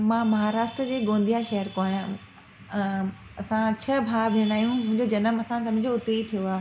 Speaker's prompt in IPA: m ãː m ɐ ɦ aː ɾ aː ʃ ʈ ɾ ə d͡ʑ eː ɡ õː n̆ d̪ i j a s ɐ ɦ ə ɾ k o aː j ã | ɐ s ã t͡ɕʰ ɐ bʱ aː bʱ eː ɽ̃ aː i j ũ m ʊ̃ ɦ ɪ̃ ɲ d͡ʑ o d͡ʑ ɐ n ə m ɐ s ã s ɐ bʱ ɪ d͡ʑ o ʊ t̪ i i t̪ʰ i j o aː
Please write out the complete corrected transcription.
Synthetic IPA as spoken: m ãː m ɐ ɦ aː ɾ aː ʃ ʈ ɾ ə d͡ʑ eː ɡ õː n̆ d̪ i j a ʃ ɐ ɦ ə ɾ k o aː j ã | ɐ s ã t͡ɕʰ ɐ bʱ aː bʱ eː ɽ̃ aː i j ũ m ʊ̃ ɦ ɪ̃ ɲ d͡ʑ o d͡ʑ ɐ n ə m ɐ s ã s ɐ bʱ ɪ d͡ʑ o ʊ t̪ e i t̪ʰ i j o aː